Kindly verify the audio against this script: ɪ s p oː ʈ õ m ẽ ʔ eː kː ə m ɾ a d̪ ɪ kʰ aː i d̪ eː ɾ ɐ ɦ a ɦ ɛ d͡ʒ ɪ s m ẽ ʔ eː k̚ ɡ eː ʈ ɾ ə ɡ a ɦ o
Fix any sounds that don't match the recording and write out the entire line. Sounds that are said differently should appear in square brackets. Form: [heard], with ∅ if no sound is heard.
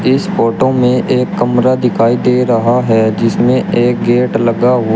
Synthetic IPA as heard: ɪ s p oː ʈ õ m ẽ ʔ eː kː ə m ɾ a d̪ ɪ kʰ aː i d̪ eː ɾ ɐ ɦ a ɦ ɛ d͡ʒ ɪ s m ẽ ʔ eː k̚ ɡ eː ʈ [l] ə ɡ a ɦ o

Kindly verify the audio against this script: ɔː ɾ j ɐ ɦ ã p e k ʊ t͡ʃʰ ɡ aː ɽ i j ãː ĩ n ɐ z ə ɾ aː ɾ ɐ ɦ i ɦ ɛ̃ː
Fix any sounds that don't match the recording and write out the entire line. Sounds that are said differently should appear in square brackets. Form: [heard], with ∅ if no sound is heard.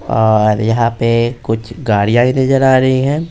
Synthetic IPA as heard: ɔː ɾ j ɐ ɦ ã p e k ʊ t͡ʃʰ ɡ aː ɽ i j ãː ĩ n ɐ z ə ɾ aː ɾ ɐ ɦ i ɦ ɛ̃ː

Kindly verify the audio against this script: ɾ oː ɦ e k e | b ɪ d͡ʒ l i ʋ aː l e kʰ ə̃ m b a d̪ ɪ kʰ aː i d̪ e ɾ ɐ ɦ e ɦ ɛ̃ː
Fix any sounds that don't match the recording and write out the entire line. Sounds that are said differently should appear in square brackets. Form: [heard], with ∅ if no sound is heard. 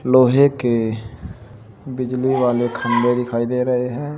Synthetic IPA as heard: [l] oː ɦ e k e | b ɪ d͡ʒ l i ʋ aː l e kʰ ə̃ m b [e] d̪ ɪ kʰ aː i d̪ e ɾ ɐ ɦ e ɦ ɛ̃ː

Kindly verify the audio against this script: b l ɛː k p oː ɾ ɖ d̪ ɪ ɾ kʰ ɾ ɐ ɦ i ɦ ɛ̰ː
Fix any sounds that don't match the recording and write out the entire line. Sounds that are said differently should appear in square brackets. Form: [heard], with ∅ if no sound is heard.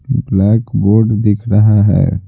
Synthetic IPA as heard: b l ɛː k [b] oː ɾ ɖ d̪ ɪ [∅] kʰ ɾ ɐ ɦ [a] ɦ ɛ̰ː

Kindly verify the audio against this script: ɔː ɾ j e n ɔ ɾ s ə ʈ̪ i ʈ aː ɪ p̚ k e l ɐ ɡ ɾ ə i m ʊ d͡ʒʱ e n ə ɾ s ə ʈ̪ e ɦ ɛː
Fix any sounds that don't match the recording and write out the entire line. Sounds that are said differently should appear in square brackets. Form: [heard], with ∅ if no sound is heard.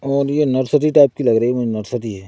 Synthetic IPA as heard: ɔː ɾ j e n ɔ ɾ s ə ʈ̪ i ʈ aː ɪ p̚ k [i] l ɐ ɡ ɾ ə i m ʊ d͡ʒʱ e n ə ɾ s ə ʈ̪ [i] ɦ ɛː

